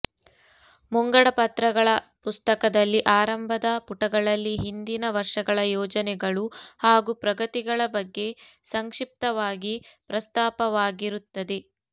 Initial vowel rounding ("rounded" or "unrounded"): rounded